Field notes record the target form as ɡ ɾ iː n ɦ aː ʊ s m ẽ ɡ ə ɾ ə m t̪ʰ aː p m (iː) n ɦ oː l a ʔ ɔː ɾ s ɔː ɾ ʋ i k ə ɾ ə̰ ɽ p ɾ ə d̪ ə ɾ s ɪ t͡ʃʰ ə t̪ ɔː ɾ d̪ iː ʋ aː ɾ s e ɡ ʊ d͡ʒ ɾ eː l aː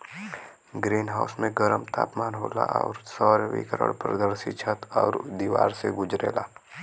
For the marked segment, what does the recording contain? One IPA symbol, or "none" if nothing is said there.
aː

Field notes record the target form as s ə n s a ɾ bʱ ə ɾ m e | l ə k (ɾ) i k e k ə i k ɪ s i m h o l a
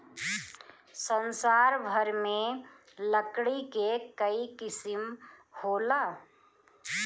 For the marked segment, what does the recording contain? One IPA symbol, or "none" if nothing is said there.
ɽ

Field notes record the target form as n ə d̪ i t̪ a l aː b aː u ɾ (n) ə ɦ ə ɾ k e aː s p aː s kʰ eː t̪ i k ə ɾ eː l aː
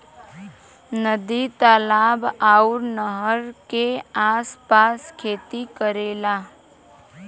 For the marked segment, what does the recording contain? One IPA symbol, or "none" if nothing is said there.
n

